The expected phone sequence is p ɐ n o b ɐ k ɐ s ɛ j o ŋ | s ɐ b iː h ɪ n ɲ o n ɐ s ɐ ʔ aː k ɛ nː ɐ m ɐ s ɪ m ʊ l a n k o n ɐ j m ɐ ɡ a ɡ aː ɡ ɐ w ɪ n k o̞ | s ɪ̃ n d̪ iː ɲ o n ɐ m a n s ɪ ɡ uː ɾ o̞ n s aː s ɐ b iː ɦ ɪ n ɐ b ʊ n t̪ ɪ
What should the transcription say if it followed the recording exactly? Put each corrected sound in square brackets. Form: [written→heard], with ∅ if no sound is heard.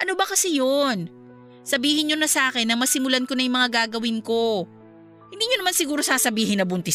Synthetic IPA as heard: [p→ʔ] ɐ n o b ɐ k ɐ s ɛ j o [ŋ→n] | s ɐ b iː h ɪ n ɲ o n ɐ s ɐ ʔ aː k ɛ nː ɐ m ɐ s ɪ m ʊ l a n k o n ɐ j m ɐ [ɡ→ŋ] a ɡ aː ɡ ɐ w ɪ n k o̞ | [s→h] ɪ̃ n d̪ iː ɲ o n ɐ m a n s ɪ ɡ uː ɾ o̞ [n→∅] s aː s ɐ b iː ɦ ɪ n ɐ b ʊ n t̪ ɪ